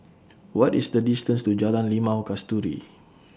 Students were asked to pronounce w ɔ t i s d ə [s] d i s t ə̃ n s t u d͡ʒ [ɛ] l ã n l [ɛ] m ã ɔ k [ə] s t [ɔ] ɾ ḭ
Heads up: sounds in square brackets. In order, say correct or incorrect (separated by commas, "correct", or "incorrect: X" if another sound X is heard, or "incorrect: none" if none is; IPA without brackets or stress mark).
incorrect: none, incorrect: a, incorrect: i, incorrect: a, incorrect: u